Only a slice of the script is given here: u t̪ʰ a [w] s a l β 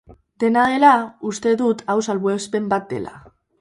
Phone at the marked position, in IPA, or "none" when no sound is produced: w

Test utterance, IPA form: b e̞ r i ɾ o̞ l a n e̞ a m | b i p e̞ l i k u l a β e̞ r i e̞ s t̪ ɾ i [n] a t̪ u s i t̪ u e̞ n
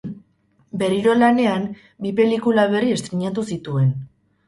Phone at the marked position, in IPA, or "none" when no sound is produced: ɲ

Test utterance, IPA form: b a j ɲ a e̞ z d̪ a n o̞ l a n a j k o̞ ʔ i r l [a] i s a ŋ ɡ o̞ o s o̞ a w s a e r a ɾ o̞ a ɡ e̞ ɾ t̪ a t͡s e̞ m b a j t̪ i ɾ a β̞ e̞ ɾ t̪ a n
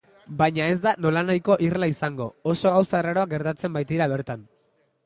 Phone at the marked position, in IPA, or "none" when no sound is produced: a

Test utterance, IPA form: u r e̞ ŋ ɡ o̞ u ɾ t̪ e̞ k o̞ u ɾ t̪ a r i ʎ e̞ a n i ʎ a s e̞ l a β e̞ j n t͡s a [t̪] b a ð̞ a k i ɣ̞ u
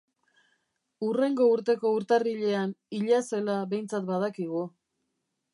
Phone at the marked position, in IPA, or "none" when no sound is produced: t̪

